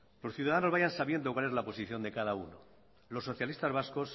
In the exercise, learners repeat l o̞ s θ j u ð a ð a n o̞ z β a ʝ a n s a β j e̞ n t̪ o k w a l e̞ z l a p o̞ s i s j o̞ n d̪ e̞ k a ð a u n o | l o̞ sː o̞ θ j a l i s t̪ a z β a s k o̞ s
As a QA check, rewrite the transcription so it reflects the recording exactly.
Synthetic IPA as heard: l o̞ s θ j u ð a ð a n o̞ z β a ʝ a n s a β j e̞ n d̪ o k w a l e̞ z l a p o̞ s i θ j o̞ n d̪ e̞ k a ð a u n o | l o̞ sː o̞ θ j a l i s t̪ a z β a s k o̞ s